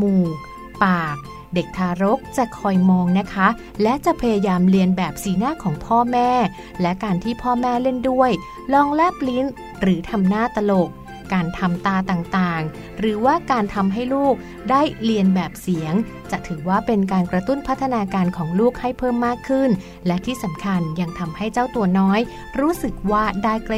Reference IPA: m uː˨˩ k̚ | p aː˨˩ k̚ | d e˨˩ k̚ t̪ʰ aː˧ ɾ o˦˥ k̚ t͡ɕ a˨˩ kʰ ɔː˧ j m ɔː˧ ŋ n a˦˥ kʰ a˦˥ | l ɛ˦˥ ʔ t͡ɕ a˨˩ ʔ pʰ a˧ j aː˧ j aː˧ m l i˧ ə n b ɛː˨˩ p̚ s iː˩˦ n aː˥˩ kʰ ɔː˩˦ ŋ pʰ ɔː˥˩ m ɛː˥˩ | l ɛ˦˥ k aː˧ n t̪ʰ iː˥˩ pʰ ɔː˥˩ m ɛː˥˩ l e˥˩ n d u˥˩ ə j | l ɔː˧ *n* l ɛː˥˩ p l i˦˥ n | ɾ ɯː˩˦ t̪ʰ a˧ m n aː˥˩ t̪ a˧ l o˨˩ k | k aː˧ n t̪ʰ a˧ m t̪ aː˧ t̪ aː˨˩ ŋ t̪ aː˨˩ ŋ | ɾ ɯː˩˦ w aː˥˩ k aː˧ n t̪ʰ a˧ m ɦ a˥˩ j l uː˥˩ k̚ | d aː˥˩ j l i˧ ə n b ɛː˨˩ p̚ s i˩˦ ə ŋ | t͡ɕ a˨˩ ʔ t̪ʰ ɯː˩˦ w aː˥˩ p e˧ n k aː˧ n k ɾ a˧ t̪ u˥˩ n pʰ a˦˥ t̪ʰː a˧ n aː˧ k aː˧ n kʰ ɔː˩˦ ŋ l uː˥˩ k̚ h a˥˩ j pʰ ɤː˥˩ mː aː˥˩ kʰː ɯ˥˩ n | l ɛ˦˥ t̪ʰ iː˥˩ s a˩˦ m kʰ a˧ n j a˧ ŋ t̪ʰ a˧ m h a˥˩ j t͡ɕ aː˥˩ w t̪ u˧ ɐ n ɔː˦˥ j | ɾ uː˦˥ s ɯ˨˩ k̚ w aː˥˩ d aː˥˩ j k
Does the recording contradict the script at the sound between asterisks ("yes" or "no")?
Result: yes